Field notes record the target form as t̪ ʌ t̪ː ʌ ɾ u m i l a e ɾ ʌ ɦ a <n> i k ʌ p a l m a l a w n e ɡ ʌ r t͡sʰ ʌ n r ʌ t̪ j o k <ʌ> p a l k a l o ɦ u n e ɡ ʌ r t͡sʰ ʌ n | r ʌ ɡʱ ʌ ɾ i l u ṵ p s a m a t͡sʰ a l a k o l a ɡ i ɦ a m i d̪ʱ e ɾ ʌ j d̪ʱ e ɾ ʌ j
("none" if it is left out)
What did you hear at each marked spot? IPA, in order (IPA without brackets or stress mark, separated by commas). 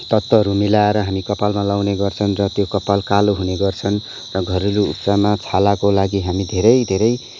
m, ʌ